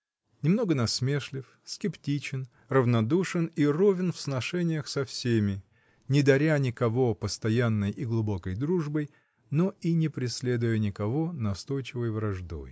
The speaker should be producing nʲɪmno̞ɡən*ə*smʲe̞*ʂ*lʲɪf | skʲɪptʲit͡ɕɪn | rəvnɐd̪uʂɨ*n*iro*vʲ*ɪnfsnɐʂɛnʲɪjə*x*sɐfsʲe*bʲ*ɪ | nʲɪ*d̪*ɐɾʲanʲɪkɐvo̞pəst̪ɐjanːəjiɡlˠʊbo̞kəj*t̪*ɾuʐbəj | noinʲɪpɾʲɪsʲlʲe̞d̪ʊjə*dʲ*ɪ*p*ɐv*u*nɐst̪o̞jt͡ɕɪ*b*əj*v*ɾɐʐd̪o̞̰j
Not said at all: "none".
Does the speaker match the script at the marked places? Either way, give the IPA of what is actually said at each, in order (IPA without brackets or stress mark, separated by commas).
ɐ, ʂ, n, vʲ, x, mʲ, d̪, d̪, nʲ, k, o, v, v